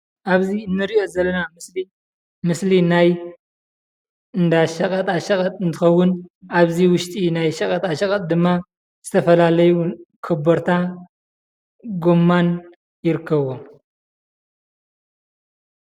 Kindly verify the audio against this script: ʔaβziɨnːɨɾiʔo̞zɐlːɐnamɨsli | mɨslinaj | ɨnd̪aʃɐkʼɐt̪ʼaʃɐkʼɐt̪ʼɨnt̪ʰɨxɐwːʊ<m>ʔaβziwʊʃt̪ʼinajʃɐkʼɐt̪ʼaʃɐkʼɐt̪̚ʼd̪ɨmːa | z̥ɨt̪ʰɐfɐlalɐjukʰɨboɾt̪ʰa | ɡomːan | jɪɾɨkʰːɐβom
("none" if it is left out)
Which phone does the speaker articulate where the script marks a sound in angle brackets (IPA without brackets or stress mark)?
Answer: n